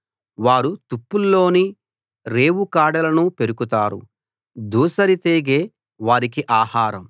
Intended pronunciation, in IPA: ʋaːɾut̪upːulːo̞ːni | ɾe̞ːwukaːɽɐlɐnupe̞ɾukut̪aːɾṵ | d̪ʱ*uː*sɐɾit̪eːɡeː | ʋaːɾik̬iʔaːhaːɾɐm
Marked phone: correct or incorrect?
correct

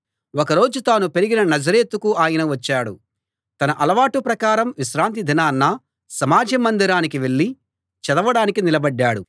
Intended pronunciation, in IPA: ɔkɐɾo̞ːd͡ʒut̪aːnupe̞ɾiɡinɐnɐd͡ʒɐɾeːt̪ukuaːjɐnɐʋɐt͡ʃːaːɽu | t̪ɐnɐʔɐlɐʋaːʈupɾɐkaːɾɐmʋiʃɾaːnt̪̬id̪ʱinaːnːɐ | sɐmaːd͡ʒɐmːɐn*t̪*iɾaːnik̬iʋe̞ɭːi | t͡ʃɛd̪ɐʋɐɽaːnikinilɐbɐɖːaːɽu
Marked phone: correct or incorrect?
incorrect: d̪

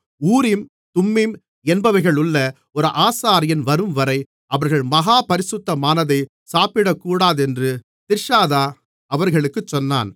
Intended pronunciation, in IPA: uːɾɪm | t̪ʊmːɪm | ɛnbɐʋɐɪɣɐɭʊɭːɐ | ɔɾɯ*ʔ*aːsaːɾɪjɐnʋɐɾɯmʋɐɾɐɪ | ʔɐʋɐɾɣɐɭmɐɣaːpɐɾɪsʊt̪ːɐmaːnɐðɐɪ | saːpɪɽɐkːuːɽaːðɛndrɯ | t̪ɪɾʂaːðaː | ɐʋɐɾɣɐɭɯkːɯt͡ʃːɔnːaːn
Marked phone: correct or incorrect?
correct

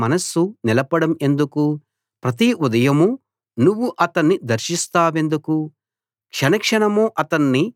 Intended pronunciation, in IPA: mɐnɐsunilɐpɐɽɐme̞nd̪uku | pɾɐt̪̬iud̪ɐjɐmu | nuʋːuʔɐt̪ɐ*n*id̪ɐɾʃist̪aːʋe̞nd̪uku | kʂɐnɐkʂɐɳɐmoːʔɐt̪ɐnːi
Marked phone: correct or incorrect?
incorrect: nː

